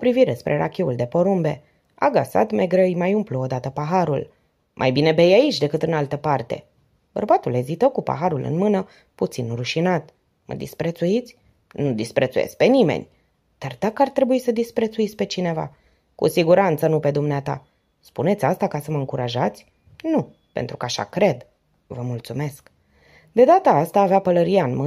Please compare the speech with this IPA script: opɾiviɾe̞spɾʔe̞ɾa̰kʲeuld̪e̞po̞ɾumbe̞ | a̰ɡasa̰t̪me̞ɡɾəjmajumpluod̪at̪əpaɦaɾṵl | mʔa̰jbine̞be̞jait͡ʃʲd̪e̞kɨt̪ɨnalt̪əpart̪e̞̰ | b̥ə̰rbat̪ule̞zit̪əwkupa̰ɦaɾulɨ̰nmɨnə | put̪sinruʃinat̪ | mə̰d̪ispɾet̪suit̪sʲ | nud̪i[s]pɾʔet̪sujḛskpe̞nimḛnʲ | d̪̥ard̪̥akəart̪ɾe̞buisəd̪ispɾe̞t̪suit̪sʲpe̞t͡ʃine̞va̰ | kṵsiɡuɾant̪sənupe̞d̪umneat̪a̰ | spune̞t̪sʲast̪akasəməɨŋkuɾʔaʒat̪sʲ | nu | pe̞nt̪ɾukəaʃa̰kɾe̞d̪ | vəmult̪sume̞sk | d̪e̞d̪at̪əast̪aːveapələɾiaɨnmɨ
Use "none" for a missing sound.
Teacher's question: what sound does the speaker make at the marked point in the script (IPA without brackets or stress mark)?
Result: s